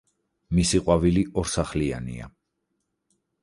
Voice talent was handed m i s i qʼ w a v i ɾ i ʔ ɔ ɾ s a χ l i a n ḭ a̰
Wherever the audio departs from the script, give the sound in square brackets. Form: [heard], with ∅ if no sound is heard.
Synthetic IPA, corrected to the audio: m i s i qʼ w a v i [l] i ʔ ɔ ɾ s a χ l i a n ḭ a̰